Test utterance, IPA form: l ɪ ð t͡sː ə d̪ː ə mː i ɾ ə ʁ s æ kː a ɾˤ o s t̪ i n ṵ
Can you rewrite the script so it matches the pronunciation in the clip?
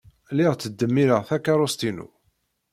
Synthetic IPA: l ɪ ʁ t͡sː ə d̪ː ə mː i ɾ ə ʁ θ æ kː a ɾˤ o s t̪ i n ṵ